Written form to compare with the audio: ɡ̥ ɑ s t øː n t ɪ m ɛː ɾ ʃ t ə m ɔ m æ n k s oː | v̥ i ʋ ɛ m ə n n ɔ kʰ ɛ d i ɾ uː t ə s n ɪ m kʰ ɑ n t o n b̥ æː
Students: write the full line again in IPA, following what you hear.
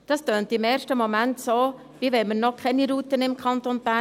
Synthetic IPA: d̥ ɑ s t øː n t ɪ m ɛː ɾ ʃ t ə m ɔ m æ n t s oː | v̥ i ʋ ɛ m ə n n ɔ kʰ ɛ n i ɾ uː t ə n ɪ m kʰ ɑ n t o n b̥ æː